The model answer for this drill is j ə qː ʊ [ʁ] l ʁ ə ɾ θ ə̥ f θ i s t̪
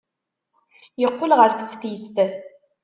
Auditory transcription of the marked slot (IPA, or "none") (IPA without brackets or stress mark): none